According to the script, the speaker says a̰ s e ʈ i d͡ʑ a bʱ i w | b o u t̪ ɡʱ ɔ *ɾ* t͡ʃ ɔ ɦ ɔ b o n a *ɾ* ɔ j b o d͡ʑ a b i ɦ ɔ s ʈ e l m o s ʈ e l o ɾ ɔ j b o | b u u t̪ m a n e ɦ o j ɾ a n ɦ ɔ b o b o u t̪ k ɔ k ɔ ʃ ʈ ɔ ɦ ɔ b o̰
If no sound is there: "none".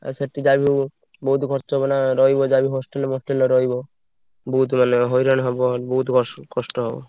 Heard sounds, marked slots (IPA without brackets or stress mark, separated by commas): ɾ, ɾ